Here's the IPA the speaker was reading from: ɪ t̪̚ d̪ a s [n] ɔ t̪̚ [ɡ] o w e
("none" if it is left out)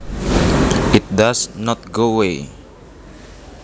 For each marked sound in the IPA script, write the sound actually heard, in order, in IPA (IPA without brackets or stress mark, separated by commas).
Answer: n, ɡ